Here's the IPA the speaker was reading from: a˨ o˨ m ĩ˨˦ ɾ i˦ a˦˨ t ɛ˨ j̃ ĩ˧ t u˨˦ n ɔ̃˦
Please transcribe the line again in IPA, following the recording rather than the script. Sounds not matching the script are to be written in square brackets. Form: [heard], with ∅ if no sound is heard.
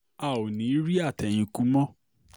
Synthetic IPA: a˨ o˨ [n] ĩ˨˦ ɾ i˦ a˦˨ t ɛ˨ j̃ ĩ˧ [k] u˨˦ [m] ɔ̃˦